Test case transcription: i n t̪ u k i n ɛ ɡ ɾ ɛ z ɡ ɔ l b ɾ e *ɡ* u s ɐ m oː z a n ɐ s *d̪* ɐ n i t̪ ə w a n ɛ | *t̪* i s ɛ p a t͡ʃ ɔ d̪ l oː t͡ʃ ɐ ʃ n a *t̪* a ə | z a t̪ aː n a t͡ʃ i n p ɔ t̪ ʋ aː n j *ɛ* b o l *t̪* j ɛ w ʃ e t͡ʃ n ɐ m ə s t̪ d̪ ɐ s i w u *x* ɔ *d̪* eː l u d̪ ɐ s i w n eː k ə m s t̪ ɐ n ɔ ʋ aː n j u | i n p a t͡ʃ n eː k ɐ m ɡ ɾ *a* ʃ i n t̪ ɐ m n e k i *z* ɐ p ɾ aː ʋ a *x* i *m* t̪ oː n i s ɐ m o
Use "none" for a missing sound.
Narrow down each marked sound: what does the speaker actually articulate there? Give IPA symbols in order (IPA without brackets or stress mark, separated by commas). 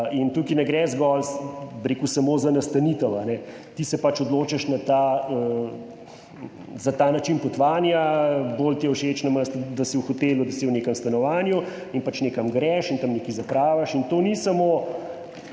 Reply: k, t̪, t̪, t̪, a, t̪, x, t̪, ɛ, z, ʃ, n